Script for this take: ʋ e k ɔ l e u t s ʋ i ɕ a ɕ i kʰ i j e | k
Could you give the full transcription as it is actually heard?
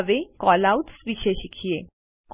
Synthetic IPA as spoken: ʋ e k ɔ l a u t s ʋ i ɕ e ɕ i kʰ i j e | k